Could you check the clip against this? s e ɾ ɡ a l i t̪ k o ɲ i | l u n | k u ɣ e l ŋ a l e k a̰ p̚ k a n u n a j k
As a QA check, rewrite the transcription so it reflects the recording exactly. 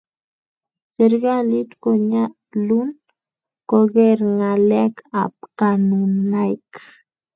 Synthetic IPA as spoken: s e ɾ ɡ a l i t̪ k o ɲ a | l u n | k o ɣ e ɾ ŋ a l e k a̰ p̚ k a n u n a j k

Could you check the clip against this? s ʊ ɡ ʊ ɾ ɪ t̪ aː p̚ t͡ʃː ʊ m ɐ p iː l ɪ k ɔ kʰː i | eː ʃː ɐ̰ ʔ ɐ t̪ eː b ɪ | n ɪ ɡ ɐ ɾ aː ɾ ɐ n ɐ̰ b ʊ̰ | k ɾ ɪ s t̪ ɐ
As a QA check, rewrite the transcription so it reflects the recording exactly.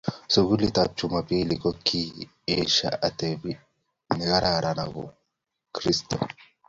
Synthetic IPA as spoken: s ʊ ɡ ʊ l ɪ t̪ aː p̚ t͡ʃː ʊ m ɐ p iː l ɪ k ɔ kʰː i | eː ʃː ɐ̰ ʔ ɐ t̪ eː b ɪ | n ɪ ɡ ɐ ɾ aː ɾ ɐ n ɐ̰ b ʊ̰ | k ɾ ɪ s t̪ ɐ

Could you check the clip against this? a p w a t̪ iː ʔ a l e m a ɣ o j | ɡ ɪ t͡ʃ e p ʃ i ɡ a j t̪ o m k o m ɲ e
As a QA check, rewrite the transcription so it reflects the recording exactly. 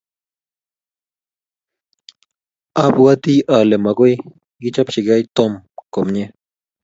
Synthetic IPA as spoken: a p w a t̪ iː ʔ a l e m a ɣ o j | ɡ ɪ t͡ʃ a p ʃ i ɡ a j t̪ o m k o m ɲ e

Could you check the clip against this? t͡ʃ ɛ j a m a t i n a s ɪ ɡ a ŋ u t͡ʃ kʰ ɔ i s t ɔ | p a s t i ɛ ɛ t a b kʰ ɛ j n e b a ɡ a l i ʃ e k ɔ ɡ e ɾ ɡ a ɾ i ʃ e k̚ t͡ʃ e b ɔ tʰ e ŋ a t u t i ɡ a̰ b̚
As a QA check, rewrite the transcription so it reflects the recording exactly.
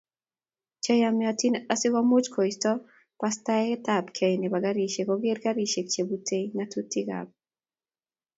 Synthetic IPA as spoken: t͡ʃ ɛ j a m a t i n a s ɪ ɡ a m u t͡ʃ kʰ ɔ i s t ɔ | p a s t a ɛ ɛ t a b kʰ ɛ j n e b a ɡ a ɾ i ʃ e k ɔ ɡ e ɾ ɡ a ɾ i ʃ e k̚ t͡ʃ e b u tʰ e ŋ a t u t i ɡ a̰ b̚

